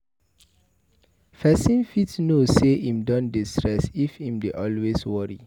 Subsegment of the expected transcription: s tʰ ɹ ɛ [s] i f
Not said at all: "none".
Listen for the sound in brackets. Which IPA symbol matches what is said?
s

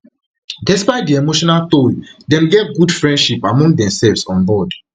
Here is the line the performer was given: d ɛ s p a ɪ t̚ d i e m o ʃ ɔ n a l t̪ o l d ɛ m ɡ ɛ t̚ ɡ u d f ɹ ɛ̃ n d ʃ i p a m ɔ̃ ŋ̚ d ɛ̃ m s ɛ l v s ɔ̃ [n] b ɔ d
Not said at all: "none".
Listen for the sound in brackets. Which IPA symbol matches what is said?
n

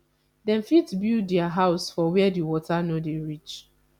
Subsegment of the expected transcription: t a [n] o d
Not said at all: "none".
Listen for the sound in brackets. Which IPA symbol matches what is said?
n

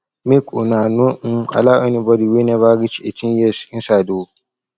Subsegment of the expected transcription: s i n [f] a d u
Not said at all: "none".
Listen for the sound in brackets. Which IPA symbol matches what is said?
s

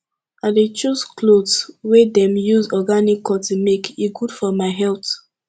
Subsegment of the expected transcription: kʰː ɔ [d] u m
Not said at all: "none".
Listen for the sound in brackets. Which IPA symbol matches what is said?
t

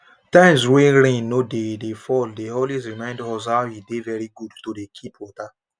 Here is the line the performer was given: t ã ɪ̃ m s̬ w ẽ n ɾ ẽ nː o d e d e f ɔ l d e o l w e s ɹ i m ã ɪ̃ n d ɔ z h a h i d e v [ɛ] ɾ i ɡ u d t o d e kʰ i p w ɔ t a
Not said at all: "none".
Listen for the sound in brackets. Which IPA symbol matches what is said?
ɛ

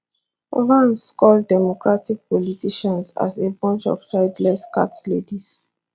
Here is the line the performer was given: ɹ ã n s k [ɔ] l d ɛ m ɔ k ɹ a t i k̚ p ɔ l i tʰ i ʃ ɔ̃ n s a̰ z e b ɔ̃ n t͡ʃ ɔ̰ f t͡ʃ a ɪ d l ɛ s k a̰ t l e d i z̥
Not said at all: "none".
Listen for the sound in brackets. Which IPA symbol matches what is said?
ɔ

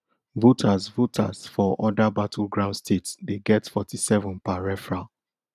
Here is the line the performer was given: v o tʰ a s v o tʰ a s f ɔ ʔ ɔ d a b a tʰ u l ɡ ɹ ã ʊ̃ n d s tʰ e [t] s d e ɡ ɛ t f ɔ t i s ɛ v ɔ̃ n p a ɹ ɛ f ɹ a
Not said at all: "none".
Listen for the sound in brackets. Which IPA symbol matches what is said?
t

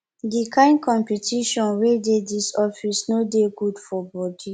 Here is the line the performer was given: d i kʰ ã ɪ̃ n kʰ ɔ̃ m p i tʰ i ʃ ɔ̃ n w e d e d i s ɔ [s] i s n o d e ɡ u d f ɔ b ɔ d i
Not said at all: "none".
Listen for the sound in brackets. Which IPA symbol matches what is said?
f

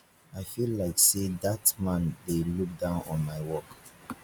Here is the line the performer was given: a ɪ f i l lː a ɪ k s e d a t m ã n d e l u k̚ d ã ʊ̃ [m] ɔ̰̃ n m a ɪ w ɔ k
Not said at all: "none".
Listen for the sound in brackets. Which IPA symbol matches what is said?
n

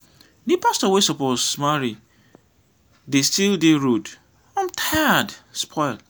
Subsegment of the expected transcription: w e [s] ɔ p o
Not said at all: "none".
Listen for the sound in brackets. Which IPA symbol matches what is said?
s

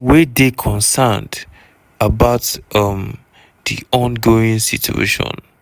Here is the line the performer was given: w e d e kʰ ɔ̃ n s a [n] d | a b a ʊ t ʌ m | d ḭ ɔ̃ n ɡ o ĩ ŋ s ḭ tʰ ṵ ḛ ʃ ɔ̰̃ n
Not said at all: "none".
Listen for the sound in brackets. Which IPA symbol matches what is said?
n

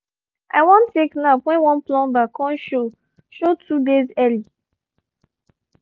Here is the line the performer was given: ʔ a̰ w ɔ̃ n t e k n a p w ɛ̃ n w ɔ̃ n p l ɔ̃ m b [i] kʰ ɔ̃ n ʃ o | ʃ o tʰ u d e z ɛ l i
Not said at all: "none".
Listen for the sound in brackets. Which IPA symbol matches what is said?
a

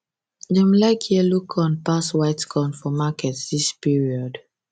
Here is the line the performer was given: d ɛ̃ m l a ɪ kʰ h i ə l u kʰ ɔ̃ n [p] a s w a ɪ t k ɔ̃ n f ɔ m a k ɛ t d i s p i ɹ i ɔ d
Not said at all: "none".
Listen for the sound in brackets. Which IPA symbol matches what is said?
p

